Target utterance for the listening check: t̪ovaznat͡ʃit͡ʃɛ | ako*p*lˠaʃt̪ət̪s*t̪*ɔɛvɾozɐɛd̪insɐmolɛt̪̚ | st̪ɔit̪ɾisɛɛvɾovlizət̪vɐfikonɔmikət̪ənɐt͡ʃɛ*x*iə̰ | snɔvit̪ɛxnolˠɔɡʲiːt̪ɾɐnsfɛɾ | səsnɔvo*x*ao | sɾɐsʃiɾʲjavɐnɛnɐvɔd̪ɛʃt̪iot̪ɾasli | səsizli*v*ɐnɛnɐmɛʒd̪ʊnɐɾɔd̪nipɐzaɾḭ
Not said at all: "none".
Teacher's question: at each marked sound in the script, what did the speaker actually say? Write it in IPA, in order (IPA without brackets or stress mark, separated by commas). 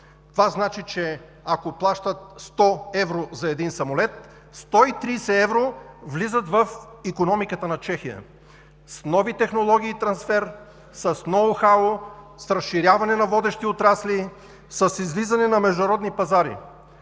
p, t̪, x, x, z